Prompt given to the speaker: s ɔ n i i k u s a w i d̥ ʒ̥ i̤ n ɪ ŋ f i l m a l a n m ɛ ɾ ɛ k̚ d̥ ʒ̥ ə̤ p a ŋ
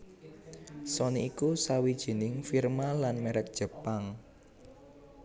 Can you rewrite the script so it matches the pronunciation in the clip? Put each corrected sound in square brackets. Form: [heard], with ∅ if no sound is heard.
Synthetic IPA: s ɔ n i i k u s a w i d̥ ʒ̥ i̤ n ɪ ŋ f i [r] m a l a n m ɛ ɾ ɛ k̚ d̥ ʒ̥ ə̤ p a ŋ